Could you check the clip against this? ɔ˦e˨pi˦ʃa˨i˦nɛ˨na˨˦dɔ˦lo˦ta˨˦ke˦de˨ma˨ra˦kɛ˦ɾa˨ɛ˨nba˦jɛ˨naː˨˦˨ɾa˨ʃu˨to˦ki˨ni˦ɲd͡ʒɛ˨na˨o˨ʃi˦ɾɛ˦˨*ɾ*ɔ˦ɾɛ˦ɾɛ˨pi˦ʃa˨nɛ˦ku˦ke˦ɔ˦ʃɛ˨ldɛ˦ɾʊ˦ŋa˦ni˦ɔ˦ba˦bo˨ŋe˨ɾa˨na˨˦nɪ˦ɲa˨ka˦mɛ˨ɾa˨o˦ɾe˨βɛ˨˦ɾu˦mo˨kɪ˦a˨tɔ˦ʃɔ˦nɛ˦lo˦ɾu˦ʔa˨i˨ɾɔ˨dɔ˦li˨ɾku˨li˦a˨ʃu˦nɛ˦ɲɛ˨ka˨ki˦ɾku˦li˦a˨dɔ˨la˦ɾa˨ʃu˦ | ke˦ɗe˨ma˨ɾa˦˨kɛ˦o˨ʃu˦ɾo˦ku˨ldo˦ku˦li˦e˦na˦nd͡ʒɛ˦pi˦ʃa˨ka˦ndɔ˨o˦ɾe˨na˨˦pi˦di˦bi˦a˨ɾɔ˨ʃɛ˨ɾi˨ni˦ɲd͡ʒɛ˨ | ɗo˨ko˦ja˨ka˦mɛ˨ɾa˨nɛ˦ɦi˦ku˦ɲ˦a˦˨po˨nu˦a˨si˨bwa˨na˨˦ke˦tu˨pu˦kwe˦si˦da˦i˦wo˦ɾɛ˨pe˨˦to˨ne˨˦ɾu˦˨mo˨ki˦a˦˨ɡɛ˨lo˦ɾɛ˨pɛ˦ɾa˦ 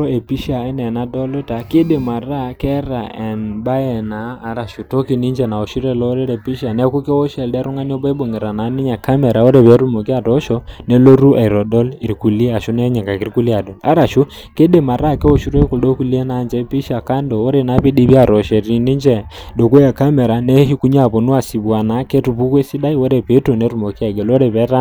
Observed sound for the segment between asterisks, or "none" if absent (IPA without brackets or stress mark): l